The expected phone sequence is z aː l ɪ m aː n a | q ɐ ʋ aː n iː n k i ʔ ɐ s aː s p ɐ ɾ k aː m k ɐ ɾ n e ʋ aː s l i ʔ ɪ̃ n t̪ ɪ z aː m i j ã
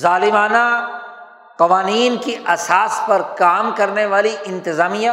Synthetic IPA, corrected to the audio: z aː l ɪ m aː n a | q ɐ ʋ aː n iː n k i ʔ ɐ s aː s p ɐ ɾ k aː m k ɐ ɾ n e ʋ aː l i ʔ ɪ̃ n t̪ ɪ z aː m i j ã